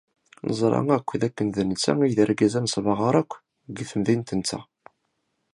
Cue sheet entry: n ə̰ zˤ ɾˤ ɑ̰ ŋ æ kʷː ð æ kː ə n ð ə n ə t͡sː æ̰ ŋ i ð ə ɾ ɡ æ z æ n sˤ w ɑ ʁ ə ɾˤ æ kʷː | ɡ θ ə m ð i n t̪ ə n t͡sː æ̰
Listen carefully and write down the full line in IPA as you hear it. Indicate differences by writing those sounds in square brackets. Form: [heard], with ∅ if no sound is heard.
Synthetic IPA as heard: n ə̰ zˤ ɾˤ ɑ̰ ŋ æ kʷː ð æ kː ə n ð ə n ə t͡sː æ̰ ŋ i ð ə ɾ ɡ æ z æ n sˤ [v] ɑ ʁ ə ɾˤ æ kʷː | ɡ θ ə m ð i n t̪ ə n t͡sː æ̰